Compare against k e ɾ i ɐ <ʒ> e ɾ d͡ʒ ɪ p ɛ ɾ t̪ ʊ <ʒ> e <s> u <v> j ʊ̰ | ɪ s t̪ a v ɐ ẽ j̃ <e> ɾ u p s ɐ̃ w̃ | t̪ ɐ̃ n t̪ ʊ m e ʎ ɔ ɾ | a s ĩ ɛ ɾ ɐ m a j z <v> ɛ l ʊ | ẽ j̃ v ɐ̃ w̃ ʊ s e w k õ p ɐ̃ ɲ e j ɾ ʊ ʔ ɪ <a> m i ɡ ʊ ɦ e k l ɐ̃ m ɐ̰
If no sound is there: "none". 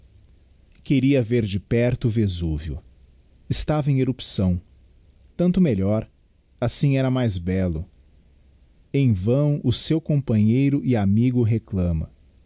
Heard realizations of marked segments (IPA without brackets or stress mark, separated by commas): v, v, z, v, e, b, a